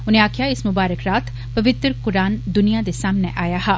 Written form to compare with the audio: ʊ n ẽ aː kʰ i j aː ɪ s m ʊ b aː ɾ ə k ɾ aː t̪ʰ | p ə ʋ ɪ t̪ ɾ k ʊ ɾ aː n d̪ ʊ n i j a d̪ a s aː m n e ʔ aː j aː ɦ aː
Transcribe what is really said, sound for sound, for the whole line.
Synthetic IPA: ʊ n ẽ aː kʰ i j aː ɪ s m ʊ b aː ɾ ə k ɾ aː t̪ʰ | p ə ʋ ɪ t̪ ɾ k ʊ ɾ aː n d̪ ʊ n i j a d̪ e s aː m n e ʔ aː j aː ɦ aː

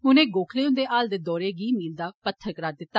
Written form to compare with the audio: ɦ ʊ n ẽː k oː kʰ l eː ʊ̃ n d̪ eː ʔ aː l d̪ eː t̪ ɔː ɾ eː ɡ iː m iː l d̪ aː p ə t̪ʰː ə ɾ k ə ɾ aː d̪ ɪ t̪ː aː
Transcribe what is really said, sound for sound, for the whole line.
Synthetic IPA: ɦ ʊ n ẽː ɡ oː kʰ l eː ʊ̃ n d̪ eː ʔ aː l d̪ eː d̪ ɔː ɾ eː ɡ iː m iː l d̪ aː p ə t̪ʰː ə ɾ k ə ɾ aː d̪ ɪ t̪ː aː

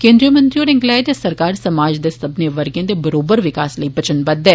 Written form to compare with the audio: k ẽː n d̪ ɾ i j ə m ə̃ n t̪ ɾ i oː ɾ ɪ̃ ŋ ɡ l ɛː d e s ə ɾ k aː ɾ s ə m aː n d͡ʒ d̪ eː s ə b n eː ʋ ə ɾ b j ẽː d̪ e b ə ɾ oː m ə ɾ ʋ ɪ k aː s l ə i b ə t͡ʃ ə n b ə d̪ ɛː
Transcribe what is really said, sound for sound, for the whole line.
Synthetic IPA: k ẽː n d̪ ɾ i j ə m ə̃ n t̪ ɾ i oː ɾ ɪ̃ ŋ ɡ l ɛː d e s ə ɾ k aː ɾ s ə m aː d͡ʒ d̪ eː s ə b n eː ʋ ə ɾ ɡ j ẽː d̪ e b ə ɾ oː b ə ɾ ʋ ɪ k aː s l ə i b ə t͡ʃ ə n b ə d̪ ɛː

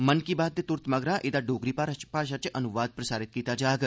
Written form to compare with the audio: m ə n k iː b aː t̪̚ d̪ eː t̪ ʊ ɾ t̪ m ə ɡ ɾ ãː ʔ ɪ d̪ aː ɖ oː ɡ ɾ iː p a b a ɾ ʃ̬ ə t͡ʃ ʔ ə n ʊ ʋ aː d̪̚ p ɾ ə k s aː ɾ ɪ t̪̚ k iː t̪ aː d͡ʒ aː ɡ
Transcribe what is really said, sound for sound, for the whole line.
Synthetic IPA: m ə n k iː b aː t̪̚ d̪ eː t̪ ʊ ɾ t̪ m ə ɡ ɾ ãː ʔ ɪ d̪ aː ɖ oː ɡ ɾ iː p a p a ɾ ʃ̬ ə t͡ʃ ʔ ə n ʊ ʋ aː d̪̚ p ɾ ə s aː ɾ ɪ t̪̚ k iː t̪ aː d͡ʒ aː ɡ

